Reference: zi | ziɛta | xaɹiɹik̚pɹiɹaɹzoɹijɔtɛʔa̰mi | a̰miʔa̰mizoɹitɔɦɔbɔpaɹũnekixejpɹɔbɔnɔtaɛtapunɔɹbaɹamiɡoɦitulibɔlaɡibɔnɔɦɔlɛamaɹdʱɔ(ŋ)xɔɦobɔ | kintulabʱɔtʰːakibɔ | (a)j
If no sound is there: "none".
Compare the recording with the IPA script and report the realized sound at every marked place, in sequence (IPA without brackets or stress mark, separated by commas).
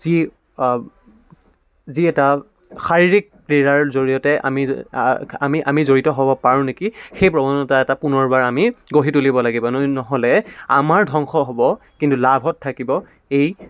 ŋ, e